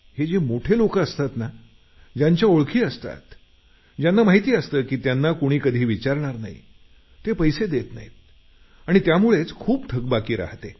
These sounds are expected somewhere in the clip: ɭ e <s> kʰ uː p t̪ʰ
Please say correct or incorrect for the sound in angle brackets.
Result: incorrect